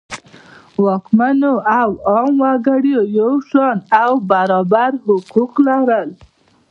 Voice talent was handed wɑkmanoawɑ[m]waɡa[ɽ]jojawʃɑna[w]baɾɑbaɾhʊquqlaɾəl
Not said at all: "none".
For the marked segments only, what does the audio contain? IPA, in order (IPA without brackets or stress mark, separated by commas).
m, ɽ, w